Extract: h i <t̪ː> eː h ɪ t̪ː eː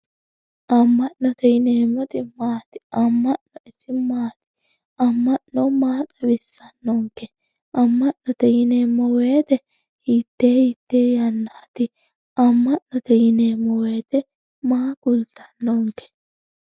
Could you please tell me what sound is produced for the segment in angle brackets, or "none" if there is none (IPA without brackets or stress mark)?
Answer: t̪ː